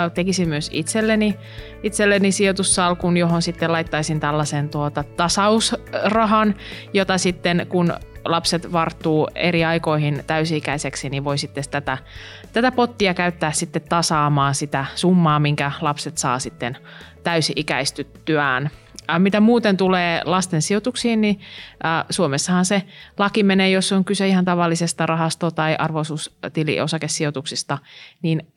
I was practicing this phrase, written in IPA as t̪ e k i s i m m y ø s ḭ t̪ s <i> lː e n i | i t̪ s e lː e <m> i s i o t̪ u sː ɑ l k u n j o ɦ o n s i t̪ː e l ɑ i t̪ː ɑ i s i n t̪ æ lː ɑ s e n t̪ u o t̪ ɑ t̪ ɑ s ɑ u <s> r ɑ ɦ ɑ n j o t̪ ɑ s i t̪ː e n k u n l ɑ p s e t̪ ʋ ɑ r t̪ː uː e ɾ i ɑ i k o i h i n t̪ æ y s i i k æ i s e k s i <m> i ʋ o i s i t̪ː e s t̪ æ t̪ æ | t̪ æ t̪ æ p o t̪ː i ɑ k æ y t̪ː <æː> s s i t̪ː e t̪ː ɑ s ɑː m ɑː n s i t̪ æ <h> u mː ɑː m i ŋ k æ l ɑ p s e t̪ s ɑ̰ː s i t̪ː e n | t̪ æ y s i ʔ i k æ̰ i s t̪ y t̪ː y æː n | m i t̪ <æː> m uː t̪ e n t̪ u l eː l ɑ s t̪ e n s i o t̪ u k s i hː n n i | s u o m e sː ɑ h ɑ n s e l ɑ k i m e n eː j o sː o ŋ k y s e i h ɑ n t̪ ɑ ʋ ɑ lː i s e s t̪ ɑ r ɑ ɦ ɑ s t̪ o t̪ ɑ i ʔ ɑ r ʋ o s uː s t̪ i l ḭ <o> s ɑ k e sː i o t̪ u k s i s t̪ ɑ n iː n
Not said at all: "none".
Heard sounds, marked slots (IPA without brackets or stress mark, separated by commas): e, n, s, n, æː, s, æ, o